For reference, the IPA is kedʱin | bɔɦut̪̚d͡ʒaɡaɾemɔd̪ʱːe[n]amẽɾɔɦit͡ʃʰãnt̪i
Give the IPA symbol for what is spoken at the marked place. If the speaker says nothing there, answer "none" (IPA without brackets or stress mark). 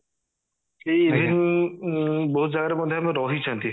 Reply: none